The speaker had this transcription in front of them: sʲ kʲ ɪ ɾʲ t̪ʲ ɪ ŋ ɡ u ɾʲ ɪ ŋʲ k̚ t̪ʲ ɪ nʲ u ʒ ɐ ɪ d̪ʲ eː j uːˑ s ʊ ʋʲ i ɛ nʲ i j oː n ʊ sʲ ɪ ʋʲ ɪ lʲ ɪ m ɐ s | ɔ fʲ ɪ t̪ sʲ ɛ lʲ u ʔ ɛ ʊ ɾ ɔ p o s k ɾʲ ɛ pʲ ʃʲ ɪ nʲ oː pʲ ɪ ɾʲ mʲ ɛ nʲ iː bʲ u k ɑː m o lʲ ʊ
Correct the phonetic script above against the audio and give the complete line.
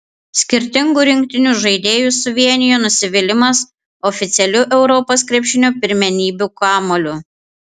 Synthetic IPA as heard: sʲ kʲ ɪ ɾʲ t̪ʲ ɪ ŋ ɡ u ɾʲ ɪ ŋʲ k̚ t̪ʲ ɪ nʲ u ʒ ɐ ɪ d̪ʲ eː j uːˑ s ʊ ʋʲ i ɛ nʲ ɪ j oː n ʊ sʲ ɪ ʋʲ ɪ lʲ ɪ m ɐ s | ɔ fʲ ɪ t̪ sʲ ɛ lʲ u ʔ ɛ ʊ ɾ ɔ p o s k ɾʲ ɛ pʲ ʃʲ ɪ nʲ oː pʲ ɪ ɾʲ mʲ ɛ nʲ iː bʲ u k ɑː m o lʲ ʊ